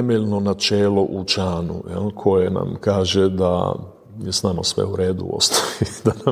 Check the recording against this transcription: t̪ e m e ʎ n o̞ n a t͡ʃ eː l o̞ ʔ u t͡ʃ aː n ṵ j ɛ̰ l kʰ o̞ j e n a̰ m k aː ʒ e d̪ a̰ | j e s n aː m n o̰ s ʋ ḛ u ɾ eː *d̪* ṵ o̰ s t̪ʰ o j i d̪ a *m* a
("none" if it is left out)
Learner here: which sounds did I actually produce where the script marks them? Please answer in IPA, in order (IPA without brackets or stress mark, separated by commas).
d̪, n